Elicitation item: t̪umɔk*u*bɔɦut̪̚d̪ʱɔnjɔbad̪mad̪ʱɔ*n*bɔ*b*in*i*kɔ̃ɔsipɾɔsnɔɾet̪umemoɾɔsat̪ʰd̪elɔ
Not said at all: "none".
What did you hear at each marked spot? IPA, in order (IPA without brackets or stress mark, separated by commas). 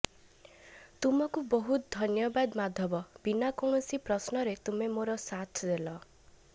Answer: u, none, b, a